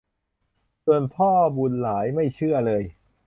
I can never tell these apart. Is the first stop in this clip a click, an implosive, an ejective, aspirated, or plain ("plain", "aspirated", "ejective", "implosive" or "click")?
aspirated